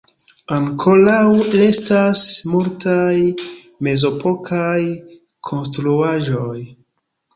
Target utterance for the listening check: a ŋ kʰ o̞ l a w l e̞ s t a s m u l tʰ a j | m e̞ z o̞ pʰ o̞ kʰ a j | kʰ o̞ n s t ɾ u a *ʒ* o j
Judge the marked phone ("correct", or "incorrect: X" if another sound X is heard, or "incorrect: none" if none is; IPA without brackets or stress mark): correct